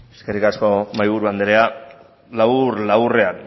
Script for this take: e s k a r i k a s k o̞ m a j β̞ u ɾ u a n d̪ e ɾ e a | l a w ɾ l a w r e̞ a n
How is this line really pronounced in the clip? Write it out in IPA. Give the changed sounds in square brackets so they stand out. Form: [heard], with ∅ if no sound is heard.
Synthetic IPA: e s k [e] r i k a s k o̞ m a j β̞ u ɾ u a n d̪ e ɾ e a | l a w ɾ l a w r e̞ a n